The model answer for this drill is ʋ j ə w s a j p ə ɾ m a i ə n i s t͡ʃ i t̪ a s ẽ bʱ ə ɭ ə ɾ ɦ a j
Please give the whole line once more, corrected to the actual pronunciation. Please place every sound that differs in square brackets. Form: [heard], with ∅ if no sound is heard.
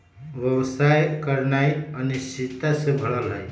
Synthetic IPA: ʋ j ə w s a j [k] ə ɾ [n] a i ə n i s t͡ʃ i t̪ a s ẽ bʱ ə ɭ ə [l] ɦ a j

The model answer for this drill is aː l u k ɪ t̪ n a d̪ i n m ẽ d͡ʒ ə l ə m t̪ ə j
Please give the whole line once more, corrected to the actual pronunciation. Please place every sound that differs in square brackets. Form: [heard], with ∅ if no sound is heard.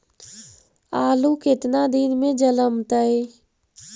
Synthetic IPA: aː l u k ɪ t̪ n a d̪ i n m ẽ d͡ʒ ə l ə m t̪ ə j

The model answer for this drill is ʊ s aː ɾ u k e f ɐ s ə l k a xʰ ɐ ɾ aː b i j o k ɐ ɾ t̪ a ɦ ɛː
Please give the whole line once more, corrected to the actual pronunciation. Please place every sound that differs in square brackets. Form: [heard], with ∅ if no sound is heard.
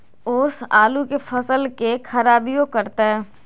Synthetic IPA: ʊ s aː [l] u k e f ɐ s ə l k [e] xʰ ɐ ɾ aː b i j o k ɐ ɾ t̪ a ɦ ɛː

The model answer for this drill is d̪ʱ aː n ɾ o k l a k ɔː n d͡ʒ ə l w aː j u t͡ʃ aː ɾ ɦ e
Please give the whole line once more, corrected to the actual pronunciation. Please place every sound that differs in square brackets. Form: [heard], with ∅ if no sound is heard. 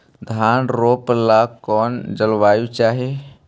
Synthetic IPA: d̪ʱ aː n ɾ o [p] l a k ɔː n d͡ʒ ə l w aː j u t͡ʃ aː [∅] ɦ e

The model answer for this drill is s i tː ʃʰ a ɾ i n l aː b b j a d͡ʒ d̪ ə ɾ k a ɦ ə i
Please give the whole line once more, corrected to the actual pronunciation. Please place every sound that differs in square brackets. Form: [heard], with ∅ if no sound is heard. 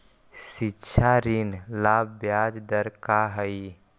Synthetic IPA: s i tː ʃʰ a ɾ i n l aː b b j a d͡ʒ d̪ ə ɾ k a ɦ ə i

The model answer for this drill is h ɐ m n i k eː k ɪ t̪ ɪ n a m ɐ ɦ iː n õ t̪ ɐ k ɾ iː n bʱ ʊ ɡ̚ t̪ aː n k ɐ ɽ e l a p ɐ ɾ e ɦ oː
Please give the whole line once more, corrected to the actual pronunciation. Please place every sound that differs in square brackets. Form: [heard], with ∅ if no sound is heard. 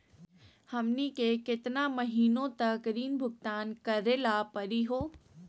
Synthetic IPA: h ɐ m n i k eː k ɪ t̪ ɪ n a m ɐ ɦ iː n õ t̪ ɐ k ɾ iː n bʱ ʊ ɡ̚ t̪ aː n k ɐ [ɾ] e l a p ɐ ɾ [i] ɦ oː

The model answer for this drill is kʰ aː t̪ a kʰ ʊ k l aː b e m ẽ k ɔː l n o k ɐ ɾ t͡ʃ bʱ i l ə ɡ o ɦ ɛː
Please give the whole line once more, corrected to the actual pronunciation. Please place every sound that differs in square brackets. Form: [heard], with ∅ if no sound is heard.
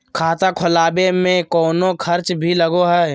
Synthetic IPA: kʰ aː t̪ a kʰ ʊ [∅] l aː b e m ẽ k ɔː [∅] n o [kʰ] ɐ ɾ t͡ʃ bʱ i l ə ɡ o ɦ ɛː

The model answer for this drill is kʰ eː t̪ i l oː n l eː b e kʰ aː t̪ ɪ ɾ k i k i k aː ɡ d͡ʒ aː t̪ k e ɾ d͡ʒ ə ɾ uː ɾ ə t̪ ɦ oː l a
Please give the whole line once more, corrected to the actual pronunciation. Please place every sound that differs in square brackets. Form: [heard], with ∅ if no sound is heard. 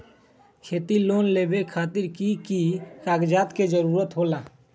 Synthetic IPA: kʰ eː t̪ i l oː n l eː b e kʰ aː t̪ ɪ ɾ k i k i k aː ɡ d͡ʒ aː t̪ k e [∅] d͡ʒ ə ɾ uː ɾ ə t̪ ɦ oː l a

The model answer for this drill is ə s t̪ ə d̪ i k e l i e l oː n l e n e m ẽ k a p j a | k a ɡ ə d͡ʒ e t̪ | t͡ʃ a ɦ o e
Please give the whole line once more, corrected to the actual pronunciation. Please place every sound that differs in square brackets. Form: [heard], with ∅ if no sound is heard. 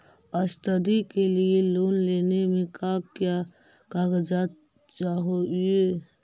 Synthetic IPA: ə s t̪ ə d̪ i k e l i e l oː n l e n e m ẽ k a [k] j a | k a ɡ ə d͡ʒ [a] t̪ | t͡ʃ a ɦ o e

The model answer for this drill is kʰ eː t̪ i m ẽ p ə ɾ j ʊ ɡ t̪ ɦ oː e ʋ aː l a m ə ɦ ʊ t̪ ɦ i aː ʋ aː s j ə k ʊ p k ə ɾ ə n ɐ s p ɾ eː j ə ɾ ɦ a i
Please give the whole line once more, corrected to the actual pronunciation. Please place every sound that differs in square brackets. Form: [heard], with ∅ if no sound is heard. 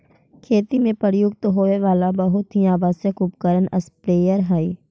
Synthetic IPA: kʰ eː t̪ i m ẽ p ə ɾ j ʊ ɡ t̪ ɦ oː e ʋ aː l a [b] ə ɦ ʊ t̪ ɦ i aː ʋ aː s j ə k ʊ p k ə ɾ ə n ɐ s p ɾ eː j ə ɾ ɦ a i

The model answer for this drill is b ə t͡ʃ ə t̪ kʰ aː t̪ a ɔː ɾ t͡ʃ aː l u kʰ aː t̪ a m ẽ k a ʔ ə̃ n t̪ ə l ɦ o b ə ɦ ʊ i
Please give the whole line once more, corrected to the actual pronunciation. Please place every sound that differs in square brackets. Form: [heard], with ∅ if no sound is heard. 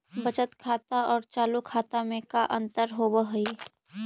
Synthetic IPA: b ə t͡ʃ ə t̪ kʰ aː t̪ a ɔː ɾ t͡ʃ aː l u kʰ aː t̪ a m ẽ k a ʔ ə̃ n t̪ ə [ɾ] ɦ o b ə ɦ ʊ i

